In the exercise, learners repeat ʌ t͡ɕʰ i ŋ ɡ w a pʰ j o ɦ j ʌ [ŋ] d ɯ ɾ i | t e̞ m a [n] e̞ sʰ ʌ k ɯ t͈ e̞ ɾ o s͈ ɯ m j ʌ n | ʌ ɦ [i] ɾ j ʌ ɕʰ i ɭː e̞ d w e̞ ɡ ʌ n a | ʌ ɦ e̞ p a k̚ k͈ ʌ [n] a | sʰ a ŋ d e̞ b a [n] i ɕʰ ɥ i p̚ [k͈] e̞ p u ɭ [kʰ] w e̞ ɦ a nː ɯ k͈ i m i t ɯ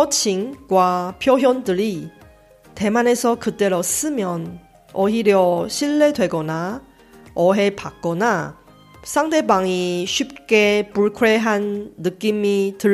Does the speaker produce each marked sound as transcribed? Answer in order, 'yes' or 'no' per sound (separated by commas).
no, yes, yes, yes, no, yes, yes